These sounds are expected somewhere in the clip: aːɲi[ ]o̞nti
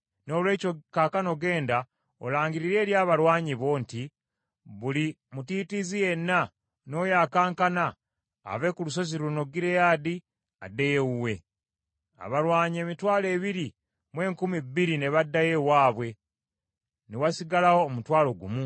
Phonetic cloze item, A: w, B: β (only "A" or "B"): B